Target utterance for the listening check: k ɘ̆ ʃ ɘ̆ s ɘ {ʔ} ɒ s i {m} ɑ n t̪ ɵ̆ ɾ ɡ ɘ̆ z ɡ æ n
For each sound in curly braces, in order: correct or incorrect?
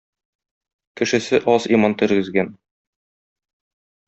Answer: correct, correct

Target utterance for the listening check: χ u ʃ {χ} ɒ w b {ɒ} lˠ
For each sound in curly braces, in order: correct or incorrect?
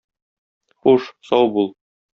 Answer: incorrect, incorrect

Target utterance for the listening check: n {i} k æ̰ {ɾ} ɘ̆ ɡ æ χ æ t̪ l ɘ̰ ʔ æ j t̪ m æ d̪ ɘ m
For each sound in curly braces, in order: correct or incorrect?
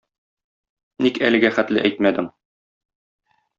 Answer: correct, incorrect

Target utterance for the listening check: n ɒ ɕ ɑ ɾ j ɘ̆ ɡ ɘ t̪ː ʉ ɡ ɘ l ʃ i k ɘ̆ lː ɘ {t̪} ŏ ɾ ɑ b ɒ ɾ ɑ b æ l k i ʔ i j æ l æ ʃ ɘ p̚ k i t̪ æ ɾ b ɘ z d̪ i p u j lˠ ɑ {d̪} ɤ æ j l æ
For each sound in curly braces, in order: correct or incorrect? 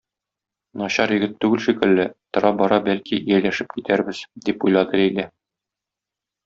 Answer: correct, correct

